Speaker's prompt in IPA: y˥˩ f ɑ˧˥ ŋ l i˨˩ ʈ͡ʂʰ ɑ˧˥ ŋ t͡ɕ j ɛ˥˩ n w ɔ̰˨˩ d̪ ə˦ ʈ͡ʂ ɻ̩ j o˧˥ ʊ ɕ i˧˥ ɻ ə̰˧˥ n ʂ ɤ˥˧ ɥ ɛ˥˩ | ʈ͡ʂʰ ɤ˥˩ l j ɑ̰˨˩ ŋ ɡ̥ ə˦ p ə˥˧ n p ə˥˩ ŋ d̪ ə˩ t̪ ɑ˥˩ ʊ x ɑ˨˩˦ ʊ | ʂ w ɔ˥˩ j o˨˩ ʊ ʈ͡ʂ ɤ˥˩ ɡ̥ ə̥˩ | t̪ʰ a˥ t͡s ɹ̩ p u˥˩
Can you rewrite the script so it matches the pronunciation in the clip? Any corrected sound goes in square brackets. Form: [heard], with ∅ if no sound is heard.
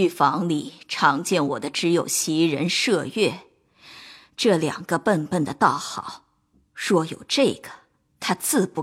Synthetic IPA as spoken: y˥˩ f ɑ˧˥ ŋ l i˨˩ ʈ͡ʂʰ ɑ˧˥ ŋ t͡ɕ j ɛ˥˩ n w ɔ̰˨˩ d̪ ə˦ ʈ͡ʂ ɻ̩ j [o˨˩] ʊ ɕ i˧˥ ɻ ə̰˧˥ n ʂ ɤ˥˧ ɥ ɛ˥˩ | [ʈ͡ʂ] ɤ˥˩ l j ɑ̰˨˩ ŋ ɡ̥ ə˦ p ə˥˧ n p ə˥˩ [n] d̪ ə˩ t̪ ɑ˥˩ ʊ x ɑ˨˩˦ ʊ | ʂ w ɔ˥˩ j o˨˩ ʊ ʈ͡ʂ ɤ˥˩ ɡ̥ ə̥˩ | t̪ʰ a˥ t͡s ɹ̩ p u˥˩